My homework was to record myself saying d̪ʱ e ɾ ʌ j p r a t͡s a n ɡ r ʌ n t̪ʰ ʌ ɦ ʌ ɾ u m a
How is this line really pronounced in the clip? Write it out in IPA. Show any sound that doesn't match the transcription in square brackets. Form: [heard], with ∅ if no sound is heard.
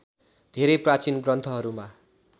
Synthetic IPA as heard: d̪ʱ e ɾ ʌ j p r a t͡s [i] n ɡ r ʌ n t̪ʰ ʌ ɦ ʌ ɾ u m a